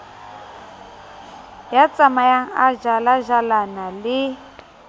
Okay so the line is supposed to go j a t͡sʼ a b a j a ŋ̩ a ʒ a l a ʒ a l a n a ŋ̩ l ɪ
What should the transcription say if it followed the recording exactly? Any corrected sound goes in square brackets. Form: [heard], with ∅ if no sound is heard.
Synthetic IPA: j a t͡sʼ a [m] a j a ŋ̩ a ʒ a l a ʒ a l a n a [∅] l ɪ